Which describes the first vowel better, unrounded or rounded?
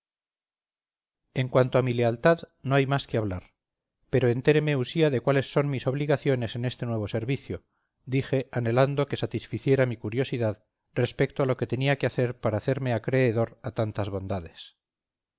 unrounded